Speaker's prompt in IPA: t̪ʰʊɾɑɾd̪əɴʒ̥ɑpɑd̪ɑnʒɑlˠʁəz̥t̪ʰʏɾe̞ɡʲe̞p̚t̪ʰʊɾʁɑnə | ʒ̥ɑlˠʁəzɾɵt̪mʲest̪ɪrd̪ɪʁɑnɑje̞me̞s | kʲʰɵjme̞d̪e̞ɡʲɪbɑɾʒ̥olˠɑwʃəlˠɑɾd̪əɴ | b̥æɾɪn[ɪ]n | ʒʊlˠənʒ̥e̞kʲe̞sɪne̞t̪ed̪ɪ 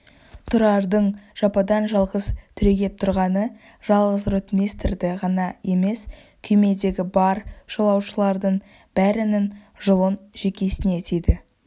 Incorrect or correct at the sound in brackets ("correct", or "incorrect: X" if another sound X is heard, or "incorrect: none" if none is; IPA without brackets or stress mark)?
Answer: correct